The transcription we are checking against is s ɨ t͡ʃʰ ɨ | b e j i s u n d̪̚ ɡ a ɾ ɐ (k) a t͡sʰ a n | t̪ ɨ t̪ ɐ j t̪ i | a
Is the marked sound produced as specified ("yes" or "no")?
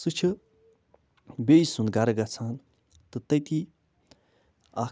no